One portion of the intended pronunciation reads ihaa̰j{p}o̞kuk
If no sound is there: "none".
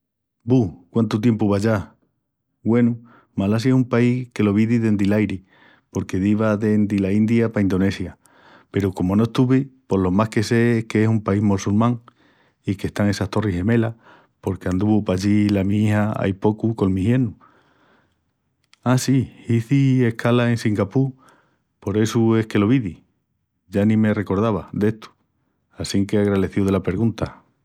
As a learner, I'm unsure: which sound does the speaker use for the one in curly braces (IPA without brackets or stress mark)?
p